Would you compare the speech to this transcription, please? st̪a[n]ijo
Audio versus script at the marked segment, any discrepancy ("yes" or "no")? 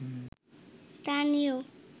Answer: no